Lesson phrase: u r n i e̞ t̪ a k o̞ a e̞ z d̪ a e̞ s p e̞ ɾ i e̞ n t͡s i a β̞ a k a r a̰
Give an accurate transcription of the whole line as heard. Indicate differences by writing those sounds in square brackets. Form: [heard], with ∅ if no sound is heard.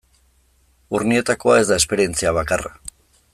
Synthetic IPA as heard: u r n i e̞ t̪ a k o̞ a e̞ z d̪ a e̞ s p e̞ ɾ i e̞ n t͡s i a β̞ a k a r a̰